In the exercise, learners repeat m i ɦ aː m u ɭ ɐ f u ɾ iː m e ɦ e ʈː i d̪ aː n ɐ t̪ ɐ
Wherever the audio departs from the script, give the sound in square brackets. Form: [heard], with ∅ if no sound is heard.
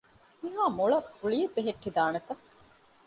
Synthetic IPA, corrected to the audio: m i ɦ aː m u ɭ ɐ f u [ɭ] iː [b] e ɦ e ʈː i d̪ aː n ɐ t̪ ɐ